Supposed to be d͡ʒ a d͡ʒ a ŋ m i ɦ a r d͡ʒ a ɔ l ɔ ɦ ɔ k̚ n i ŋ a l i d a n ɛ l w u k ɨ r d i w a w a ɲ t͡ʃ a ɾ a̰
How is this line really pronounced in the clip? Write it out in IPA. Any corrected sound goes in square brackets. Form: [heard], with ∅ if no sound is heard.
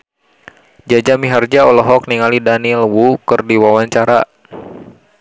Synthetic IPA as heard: d͡ʒ a d͡ʒ a [∅] m i ɦ a r d͡ʒ a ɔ l ɔ ɦ ɔ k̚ n i ŋ a l i d a n [i] l w u k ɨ r d i w a w a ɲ t͡ʃ a ɾ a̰